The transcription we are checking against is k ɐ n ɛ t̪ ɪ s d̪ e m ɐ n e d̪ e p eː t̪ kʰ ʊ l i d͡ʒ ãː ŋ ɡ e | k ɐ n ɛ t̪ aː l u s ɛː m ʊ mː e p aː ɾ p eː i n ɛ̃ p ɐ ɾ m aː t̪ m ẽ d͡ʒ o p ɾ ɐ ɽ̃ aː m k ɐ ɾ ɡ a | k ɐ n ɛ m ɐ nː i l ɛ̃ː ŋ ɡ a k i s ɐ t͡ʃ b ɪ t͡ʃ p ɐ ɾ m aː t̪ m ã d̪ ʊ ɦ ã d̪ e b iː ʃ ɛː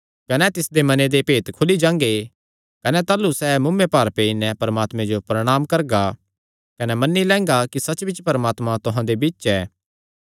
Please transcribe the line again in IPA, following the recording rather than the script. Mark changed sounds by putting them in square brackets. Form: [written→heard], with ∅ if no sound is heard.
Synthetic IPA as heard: k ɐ n ɛ t̪ ɪ s d̪ e m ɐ n e d̪ e p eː t̪ kʰ ʊ l i d͡ʒ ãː ŋ ɡ e | k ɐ n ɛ t̪ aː l u s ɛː m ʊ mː e p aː ɾ p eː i n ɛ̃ p ɐ ɾ m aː t̪ m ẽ d͡ʒ o p ɾ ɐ ɽ̃ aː m k ɐ ɾ ɡ a | k ɐ n ɛ m ɐ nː i l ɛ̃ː ŋ ɡ a k i s ɐ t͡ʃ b ɪ t͡ʃ p ɐ ɾ m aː t̪ m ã [d̪→t̪] ʊ ɦ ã d̪ e b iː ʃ ɛː